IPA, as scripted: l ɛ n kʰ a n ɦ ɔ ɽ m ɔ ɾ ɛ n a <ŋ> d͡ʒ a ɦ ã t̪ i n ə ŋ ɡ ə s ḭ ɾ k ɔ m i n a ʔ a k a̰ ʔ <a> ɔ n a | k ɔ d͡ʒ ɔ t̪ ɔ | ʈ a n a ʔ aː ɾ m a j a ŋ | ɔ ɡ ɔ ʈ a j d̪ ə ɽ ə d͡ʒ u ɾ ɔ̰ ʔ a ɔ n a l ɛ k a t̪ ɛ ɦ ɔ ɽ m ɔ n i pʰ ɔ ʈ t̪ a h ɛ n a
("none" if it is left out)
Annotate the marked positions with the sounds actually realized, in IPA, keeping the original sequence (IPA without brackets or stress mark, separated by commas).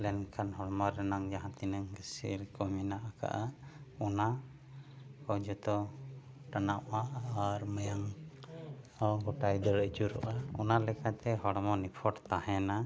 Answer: ŋ, a